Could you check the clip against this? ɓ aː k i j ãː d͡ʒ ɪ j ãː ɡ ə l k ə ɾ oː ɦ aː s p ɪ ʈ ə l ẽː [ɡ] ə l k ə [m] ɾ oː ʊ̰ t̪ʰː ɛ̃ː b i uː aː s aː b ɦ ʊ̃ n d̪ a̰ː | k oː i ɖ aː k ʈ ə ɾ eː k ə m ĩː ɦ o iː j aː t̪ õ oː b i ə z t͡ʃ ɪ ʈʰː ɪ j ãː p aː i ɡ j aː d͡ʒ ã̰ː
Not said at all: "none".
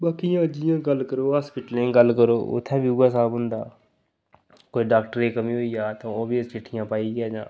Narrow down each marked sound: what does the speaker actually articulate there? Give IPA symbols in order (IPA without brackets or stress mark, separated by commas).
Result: ɡ, none